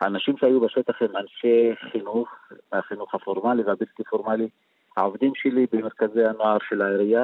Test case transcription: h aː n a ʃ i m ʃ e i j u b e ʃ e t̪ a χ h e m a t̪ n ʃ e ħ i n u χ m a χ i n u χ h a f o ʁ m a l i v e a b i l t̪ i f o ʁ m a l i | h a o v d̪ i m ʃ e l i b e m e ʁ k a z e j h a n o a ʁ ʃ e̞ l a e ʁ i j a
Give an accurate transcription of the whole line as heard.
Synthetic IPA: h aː n a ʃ i m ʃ e a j u b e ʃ e t̪ a χ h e m a n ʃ e χ i n u χ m a χ i n u χ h a f o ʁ m a l i v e a b i l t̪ i f o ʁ m a l i | h a o v d̪ i m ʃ e l i b e m e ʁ k a z e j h a n o a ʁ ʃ e̞ l a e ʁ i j a